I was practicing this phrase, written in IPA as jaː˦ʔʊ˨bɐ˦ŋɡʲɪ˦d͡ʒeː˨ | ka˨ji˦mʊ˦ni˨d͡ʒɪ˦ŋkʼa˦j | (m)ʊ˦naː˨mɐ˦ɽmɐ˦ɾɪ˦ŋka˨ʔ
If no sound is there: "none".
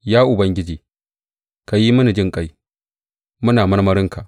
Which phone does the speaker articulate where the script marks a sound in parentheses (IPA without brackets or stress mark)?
m